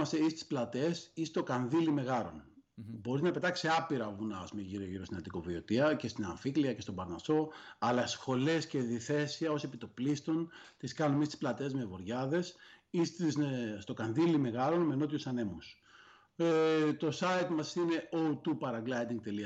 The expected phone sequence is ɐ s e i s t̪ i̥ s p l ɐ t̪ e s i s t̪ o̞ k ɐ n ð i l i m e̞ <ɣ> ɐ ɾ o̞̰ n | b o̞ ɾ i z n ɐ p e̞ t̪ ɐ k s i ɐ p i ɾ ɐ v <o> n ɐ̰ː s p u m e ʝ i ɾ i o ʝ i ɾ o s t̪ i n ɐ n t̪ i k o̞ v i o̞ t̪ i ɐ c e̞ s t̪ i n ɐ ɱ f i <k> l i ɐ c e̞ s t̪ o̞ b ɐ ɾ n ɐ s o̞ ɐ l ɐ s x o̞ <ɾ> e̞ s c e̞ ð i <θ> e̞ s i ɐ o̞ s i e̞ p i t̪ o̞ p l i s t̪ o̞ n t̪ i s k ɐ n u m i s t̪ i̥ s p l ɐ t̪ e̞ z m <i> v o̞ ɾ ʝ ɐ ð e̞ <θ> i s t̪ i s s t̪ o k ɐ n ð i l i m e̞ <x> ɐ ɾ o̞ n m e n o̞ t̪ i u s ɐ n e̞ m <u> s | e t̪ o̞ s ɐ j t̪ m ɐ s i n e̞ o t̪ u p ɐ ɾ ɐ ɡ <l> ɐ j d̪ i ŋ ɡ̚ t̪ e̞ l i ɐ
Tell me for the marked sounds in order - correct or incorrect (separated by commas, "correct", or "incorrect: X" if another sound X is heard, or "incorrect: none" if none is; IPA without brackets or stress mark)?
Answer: correct, incorrect: u, correct, incorrect: l, correct, incorrect: e, incorrect: s, incorrect: ɣ, correct, correct